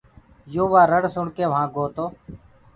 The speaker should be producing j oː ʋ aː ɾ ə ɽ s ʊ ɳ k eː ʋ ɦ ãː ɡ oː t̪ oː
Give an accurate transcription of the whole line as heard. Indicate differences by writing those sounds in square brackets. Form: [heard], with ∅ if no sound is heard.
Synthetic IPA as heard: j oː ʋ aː ɾ ə ɽ s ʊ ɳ k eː ʋ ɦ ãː ɡ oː t̪ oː